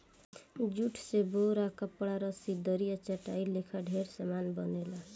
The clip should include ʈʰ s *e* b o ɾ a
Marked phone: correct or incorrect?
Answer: correct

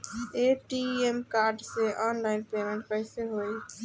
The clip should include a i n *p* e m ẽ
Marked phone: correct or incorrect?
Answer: correct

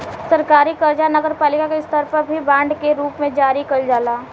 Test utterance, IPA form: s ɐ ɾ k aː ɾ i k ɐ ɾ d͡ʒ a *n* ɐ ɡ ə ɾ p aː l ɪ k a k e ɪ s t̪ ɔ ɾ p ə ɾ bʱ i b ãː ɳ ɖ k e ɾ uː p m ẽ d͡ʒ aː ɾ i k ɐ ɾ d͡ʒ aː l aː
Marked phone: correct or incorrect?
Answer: correct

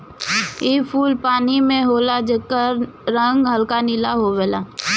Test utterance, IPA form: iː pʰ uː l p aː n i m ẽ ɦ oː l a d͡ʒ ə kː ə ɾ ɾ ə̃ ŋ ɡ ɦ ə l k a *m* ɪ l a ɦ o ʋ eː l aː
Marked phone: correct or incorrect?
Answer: incorrect: n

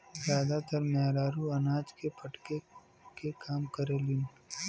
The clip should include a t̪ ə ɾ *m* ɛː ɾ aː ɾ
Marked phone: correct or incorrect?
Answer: correct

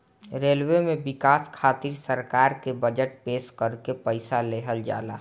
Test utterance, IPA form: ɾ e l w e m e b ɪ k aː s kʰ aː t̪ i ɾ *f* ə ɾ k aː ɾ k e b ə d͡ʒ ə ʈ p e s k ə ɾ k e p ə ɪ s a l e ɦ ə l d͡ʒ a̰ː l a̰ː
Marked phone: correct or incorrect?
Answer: incorrect: s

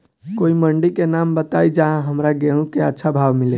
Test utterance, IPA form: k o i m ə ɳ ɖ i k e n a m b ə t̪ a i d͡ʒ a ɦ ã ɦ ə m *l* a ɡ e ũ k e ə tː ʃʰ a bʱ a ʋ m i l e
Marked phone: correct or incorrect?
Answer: incorrect: ɾ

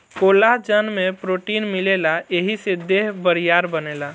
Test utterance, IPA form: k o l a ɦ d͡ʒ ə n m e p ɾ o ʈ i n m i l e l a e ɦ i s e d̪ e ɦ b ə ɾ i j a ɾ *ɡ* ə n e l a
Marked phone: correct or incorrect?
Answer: incorrect: b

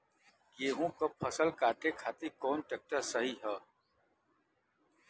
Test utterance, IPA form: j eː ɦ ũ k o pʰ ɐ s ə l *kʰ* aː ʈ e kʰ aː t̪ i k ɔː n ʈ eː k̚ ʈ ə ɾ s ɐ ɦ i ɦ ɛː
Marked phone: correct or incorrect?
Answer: incorrect: k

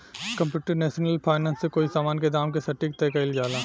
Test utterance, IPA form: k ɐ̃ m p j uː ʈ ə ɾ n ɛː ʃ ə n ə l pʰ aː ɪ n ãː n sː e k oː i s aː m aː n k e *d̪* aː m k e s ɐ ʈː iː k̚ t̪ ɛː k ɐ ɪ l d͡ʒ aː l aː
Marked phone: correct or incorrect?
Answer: correct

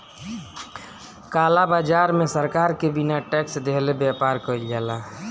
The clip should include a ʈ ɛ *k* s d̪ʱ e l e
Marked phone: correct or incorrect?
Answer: correct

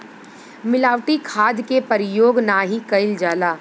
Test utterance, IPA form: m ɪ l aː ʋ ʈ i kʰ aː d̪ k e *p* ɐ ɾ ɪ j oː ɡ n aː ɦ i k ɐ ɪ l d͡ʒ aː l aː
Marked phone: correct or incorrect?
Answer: correct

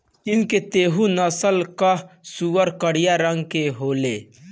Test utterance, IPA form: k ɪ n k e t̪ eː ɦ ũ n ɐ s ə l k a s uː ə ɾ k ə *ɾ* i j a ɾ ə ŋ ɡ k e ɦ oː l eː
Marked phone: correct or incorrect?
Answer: incorrect: ɽ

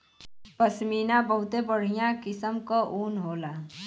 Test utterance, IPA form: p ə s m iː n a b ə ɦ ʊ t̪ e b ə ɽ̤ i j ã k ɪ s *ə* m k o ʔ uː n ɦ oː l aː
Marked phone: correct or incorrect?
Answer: correct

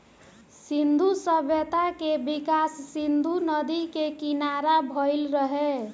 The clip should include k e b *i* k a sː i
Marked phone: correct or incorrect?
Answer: correct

